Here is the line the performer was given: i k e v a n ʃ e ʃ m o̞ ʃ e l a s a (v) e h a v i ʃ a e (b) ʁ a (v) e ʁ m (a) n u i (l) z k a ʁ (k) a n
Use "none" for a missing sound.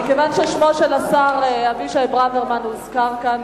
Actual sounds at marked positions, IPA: ʁ, b, v, a, none, k

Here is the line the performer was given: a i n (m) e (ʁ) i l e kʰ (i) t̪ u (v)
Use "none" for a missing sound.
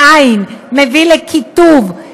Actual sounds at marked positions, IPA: m, v, i, v

